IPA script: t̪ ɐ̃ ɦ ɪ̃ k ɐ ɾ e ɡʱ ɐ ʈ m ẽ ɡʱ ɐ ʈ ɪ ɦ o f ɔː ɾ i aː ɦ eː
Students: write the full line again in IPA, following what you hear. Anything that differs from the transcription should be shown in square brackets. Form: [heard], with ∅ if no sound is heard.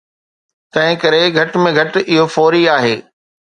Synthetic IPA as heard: t̪ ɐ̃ ɦ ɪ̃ k ɐ ɾ e ɡʱ ɐ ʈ m ẽ ɡʱ ɐ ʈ ɪ ɦ o f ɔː ɾ i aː ɦ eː